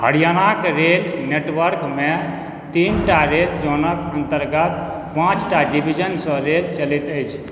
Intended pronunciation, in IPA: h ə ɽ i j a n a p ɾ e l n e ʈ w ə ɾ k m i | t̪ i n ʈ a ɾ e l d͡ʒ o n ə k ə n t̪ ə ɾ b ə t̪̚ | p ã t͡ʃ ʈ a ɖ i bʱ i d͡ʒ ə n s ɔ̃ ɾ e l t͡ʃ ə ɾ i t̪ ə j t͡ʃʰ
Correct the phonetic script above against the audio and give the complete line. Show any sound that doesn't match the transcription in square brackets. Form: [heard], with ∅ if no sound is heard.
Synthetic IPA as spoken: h ə ɽ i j a n a [k] ɾ e l n e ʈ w ə ɾ k m [e] | t̪ i n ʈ a ɾ e l d͡ʒ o n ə k ə n t̪ ə ɾ [ɡ] ə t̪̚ | p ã t͡ʃ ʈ a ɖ i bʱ i d͡ʒ ə n s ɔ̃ ɾ e l t͡ʃ ə [l] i t̪ ə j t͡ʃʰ

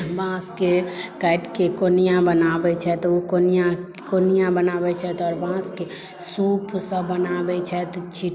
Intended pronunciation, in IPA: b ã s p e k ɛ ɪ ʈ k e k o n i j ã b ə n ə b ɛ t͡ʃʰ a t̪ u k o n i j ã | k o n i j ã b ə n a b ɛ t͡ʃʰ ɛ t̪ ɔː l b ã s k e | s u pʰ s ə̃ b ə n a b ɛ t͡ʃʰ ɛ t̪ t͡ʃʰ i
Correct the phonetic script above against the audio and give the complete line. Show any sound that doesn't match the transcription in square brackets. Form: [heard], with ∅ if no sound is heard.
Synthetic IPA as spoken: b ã s [k] e k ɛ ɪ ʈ k e k o n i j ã b ə n [a] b ɛ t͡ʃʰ [ɛ] t̪ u k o n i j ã | k o n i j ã b ə n a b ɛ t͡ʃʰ ɛ t̪ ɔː [ɾ] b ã s k e | s u pʰ s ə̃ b ə n a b ɛ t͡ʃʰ ɛ t̪ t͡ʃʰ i

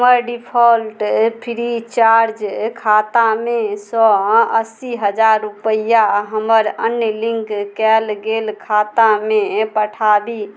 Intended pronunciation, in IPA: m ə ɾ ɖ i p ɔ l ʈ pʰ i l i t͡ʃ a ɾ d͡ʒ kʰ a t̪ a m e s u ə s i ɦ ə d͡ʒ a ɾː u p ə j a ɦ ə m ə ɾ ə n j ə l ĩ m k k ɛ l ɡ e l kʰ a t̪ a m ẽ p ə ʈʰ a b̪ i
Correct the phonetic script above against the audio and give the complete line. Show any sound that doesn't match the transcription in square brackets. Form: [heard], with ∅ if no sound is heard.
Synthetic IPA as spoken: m ə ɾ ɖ i [pʰ] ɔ l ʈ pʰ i [ɾ] i t͡ʃ a ɾ d͡ʒ kʰ a t̪ a m e s [ɔ] ə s i ɦ ə d͡ʒ a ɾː u p ə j a ɦ ə m ə ɾ ə n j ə l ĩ [ŋ] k k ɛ l ɡ e l kʰ a t̪ a m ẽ p ə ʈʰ a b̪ i

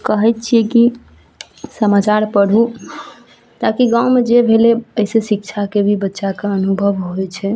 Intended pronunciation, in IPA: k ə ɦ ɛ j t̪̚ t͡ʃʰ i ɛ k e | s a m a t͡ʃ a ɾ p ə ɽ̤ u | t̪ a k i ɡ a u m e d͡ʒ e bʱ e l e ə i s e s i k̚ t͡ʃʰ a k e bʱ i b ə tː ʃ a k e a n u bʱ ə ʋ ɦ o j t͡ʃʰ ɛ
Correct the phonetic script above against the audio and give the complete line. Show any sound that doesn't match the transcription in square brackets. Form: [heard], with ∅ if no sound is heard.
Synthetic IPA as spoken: k ə ɦ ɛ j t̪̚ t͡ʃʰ i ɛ k [i] | s [ə] m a t͡ʃ a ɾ p ə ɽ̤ u | t̪ a k i ɡ a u m e d͡ʒ e bʱ e l e ə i s e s i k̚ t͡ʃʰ a k e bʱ i b ə tː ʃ a k e [ə] n u bʱ ə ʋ ɦ o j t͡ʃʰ ɛ

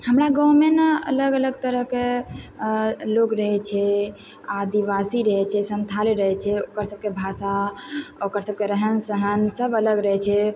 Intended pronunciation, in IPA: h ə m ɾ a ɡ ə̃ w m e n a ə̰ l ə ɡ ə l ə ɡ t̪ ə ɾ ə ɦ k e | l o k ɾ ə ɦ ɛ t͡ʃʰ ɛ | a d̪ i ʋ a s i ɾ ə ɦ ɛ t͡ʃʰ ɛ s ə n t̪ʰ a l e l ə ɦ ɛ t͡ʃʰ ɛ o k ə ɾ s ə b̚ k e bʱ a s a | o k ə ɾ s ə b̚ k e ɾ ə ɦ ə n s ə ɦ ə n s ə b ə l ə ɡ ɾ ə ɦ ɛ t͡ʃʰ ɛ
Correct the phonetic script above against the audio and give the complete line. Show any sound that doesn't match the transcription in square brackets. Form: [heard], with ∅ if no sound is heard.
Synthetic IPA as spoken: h ə m ɾ a ɡ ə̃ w m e n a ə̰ l ə ɡ ə l ə ɡ t̪ ə ɾ ə ɦ k e | l o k ɾ ə ɦ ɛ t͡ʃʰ ɛ | a d̪ i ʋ a s i ɾ ə ɦ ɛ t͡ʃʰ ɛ s ə n t̪ʰ a l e [ɾ] ə ɦ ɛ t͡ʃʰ ɛ o k ə ɾ s ə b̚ k e bʱ a s a | o k ə ɾ s ə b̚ k e ɾ ə ɦ ə n s ə ɦ ə n s ə b ə l ə ɡ ɾ ə ɦ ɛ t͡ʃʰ ɛ

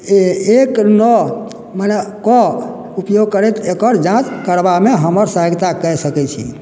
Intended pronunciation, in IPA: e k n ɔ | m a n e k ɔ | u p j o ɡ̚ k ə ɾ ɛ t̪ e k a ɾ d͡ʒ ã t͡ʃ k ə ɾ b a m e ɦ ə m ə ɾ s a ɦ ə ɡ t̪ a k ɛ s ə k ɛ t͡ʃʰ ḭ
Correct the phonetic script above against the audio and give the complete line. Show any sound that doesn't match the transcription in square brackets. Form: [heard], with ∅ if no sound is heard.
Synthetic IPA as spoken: e k n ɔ | m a n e k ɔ | u p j o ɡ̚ k ə ɾ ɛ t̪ e k [ə] ɾ d͡ʒ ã t͡ʃ k ə ɾ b a m e ɦ ə m ə ɾ s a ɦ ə ɡ t̪ a k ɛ s ə k ɛ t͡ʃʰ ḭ

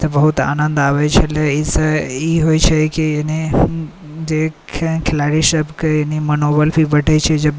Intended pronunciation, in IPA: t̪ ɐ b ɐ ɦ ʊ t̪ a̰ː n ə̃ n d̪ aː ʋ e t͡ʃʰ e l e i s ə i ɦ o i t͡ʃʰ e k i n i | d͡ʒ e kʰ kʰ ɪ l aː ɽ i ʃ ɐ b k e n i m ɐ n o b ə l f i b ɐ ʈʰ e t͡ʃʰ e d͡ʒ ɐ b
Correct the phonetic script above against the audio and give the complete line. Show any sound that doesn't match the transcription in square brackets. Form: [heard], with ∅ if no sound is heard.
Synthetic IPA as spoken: t̪ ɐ b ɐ ɦ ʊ t̪ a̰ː n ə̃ n d̪ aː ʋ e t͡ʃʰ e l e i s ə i ɦ o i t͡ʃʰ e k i n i | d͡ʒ e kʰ kʰ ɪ l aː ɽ i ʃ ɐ b k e n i m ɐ n o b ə l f i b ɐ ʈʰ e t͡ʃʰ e d͡ʒ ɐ b

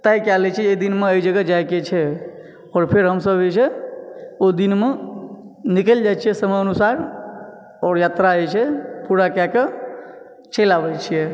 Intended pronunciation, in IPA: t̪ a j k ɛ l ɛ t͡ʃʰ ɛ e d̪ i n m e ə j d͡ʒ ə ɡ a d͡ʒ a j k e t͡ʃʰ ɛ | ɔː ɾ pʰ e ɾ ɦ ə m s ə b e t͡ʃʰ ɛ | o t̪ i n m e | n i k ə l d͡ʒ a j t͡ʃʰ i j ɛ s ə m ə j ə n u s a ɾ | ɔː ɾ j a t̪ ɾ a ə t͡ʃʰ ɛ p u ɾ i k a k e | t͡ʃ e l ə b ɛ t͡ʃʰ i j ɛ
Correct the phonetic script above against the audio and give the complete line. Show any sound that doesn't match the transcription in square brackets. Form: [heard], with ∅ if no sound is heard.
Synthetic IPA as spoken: t̪ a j k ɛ l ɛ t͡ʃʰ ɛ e d̪ i n m e ə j d͡ʒ ə ɡ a d͡ʒ a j k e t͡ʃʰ ɛ | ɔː ɾ pʰ e ɾ ɦ ə m s ə b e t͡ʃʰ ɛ | o [d̪] i n m e | n i k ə l d͡ʒ a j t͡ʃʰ i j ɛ s ə m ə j ə n u s a ɾ | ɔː ɾ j a t̪ ɾ a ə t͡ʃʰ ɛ p u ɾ [a] k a k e | t͡ʃ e l [a] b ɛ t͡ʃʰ i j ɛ

